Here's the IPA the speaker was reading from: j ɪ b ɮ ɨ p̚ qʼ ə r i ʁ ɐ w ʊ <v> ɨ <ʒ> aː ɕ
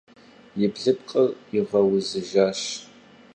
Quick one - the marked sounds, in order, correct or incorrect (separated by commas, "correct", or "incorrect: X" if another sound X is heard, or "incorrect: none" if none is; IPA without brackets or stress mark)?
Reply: incorrect: z, correct